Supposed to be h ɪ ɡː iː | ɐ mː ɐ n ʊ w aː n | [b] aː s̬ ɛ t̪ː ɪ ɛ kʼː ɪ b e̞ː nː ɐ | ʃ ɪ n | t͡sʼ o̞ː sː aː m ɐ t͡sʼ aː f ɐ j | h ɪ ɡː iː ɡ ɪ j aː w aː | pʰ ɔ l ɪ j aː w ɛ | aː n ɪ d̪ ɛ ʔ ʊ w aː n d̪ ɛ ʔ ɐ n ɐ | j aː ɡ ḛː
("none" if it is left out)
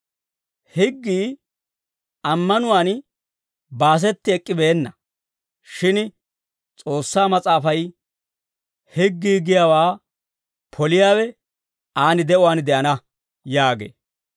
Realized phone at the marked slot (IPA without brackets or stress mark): b